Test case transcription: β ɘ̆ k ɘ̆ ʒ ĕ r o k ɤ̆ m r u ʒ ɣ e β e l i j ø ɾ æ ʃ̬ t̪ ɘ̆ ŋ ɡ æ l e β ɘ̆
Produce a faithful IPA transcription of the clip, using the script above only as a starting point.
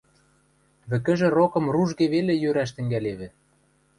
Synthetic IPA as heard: β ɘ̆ k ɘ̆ ʒ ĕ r o k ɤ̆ m r u ʒ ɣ e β e l e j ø ɾ æ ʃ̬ t̪ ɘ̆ ŋ ɡ æ l e β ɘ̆